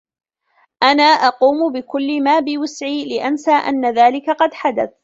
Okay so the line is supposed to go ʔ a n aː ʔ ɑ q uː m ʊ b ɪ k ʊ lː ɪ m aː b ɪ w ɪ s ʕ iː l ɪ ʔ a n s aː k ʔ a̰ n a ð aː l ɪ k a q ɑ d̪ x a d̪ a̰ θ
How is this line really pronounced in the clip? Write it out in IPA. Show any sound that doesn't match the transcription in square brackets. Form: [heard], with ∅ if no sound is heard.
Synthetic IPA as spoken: ʔ a n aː ʔ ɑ q uː m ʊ b ɪ k ʊ lː ɪ m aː b ɪ w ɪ s ʕ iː l ɪ ʔ a n s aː [∅] ʔ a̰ [nː] a ð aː l ɪ k a q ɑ d̪ [ħ] a d̪ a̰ θ